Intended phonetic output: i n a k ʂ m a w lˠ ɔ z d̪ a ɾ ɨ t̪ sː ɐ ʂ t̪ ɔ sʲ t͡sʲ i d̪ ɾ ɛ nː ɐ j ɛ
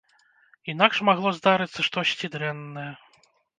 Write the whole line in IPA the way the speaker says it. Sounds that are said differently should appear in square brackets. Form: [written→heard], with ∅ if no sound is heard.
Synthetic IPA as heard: i n a k ʂ m a [w→ɣ] lˠ ɔ z d̪ a ɾ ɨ t̪ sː ɐ ʂ t̪ ɔ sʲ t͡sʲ i d̪ ɾ ɛ nː ɐ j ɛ

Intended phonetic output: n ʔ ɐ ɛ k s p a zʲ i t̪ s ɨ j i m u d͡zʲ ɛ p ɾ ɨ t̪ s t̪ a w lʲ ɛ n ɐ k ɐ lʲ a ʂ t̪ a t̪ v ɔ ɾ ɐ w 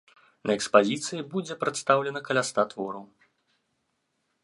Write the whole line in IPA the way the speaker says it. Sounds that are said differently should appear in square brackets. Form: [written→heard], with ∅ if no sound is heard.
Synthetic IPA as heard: n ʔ ɐ ɛ k s p a zʲ i t̪ s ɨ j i [m→b] u d͡zʲ ɛ p ɾ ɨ t̪ s t̪ a w lʲ ɛ n ɐ k ɐ lʲ a [ʂ→s] t̪ a t̪ v ɔ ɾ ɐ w

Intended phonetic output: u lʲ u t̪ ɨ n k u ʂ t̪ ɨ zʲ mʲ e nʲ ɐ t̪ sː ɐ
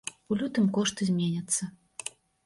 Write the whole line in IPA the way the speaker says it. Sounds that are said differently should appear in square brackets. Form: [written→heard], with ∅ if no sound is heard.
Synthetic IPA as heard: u lʲ u t̪ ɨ [n→m] k [u→ɔ] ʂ t̪ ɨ zʲ mʲ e nʲ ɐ t̪ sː ɐ

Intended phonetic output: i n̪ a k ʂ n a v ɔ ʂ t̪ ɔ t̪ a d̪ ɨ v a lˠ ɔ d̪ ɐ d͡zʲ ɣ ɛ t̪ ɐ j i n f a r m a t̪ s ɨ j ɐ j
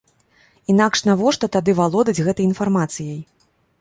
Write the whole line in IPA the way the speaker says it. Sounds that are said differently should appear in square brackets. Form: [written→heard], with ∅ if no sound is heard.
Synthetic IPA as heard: i n̪ a k ʂ n a v ɔ ʂ t̪ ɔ t̪ a d̪ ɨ v a lˠ ɔ d̪ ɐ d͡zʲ ɣ ɛ t̪ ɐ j i n f a r m a t̪ s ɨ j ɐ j

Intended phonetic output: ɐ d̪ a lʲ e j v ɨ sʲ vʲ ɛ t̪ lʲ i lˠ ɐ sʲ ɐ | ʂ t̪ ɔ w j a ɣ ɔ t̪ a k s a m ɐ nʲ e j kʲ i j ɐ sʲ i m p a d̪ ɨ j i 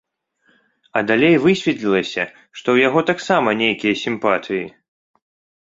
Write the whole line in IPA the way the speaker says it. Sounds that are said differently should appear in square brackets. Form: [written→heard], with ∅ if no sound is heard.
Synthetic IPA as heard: ɐ d̪ a lʲ e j v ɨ sʲ vʲ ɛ t̪ lʲ i lˠ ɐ sʲ ɐ | ʂ t̪ ɔ w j a ɣ ɔ t̪ a k s a m ɐ nʲ e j kʲ i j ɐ sʲ i m p a [d̪→t̪] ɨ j i

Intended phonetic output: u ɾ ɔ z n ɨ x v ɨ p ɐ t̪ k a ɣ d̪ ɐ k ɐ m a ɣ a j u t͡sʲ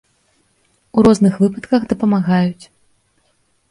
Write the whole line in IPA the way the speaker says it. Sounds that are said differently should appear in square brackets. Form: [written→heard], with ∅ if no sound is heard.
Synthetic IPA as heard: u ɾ ɔ z n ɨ x v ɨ p ɐ t̪ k [a→ɐ] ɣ d̪ ɐ [k→p] ɐ m a ɣ a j u t͡sʲ

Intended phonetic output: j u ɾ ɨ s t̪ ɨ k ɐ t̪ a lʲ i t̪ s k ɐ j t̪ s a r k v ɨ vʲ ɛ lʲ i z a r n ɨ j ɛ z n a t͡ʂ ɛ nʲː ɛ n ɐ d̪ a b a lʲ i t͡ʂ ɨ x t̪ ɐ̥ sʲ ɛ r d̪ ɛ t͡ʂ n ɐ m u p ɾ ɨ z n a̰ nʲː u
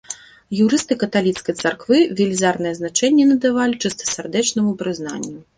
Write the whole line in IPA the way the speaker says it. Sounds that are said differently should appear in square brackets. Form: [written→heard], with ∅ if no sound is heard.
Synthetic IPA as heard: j u ɾ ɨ s t̪ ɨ k ɐ t̪ a lʲ i t̪ s k ɐ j t̪ s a r k v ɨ vʲ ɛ lʲ i z a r n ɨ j ɛ z n a t͡ʂ ɛ nʲː ɛ n ɐ d̪ a [b→v] a lʲ i t͡ʂ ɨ [x→s] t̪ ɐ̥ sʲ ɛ r d̪ ɛ t͡ʂ n ɐ m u p ɾ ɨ z n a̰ nʲː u

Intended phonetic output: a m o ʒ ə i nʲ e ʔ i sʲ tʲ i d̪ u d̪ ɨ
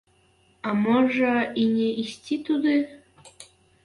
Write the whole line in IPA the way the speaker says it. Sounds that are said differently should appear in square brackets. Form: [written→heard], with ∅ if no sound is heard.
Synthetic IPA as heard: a m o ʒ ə i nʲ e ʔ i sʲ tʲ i [d̪→t̪] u d̪ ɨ

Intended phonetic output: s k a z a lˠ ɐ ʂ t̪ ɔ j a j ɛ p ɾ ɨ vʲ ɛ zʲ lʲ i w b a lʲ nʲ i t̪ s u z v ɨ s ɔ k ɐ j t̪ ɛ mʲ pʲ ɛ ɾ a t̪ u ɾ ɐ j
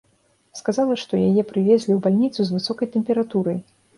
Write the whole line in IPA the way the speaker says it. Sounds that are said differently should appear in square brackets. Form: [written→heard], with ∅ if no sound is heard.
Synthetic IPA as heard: s k a z a lˠ ɐ ʂ t̪ ɔ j a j ɛ p ɾ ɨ vʲ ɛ zʲ lʲ i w b a lʲ nʲ i t̪ s u z v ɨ s ɔ k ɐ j t̪ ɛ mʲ pʲ ɛ ɾ a t̪ u ɾ ɐ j

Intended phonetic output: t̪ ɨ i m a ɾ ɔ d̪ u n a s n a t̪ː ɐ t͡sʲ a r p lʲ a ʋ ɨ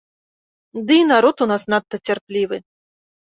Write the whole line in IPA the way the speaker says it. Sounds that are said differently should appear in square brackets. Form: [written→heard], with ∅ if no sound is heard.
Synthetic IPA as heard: [t̪→d̪] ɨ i [m→n] a ɾ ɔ [d̪→t̪] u n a s n a t̪ː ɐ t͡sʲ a r p lʲ [a→i] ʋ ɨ

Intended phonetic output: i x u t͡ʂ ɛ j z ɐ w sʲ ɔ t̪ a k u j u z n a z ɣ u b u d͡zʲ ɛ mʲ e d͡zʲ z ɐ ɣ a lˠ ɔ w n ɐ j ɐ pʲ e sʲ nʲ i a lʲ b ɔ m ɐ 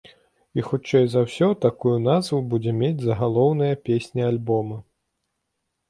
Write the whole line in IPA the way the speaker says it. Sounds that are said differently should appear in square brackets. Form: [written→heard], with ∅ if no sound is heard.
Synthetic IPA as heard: i x u t͡ʂ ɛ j z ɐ w sʲ ɔ t̪ a k u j u [z→∅] n a z [ɣ→v] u b u d͡zʲ ɛ mʲ e d͡zʲ z ɐ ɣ a lˠ ɔ w n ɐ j ɐ pʲ e sʲ nʲ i a lʲ b ɔ m ɐ

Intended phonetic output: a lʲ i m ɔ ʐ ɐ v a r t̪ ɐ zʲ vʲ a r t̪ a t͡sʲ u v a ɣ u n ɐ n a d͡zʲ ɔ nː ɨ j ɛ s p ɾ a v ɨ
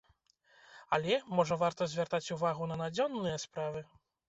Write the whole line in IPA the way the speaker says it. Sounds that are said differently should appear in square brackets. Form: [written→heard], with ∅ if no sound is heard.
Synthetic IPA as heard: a lʲ [i→ɛ] m ɔ ʐ ɐ v a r t̪ ɐ zʲ vʲ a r t̪ a t͡sʲ u v a ɣ u n ɐ n a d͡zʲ ɔ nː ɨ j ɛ s p ɾ a v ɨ

